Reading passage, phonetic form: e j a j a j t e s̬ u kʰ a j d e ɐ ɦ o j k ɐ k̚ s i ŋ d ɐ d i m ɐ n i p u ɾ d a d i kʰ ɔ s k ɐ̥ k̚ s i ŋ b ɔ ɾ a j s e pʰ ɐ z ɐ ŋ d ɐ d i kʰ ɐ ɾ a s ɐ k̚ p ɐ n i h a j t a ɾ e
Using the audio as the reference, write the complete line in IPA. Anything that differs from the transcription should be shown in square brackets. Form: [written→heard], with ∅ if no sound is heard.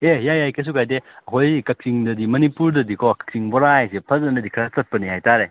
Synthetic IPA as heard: e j a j a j [t→k] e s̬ u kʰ a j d e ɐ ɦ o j k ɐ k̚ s i ŋ d ɐ d i m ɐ n i p u ɾ d [a→ɐ] d i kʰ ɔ [s→∅] k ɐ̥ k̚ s i ŋ b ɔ ɾ a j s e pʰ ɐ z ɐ [ŋ→n] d ɐ d i kʰ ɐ ɾ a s ɐ [k̚→t̚] p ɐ n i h a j t a ɾ e